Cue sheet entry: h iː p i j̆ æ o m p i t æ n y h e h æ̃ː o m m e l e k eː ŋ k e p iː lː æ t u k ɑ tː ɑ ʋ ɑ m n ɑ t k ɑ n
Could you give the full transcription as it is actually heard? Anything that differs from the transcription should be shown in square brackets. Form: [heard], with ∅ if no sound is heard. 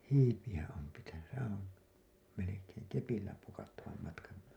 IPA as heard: h iː p i j̆ æ o m p i t æ n y [s] e h æ̃ː o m m e l e k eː ŋ k e p [i] lː æ [p] u k ɑ tː ɑ ʋ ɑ m [m] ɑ t k ɑ n